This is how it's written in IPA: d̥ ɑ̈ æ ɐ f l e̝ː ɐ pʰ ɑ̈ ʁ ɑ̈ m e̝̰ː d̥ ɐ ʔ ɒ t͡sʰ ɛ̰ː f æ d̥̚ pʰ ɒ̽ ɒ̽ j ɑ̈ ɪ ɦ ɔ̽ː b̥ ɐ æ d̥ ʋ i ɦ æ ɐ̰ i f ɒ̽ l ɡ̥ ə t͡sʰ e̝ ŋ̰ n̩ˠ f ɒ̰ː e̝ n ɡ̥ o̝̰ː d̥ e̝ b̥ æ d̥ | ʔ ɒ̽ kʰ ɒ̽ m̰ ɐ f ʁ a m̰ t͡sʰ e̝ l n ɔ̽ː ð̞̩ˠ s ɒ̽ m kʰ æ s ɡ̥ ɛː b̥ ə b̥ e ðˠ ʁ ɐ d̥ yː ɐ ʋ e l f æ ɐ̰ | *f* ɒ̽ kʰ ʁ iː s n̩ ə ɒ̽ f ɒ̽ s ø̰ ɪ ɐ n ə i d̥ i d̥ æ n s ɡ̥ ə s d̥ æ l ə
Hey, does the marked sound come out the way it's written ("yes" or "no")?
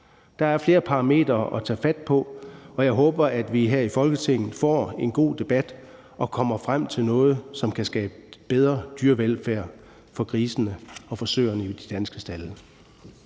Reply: yes